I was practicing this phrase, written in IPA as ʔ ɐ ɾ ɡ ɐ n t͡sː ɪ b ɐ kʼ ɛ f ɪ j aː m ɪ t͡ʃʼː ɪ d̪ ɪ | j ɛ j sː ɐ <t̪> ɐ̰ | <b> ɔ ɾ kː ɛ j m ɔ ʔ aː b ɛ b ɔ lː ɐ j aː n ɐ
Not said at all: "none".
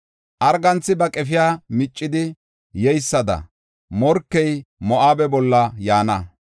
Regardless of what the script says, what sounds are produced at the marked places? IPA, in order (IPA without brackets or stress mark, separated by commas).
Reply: d̪, m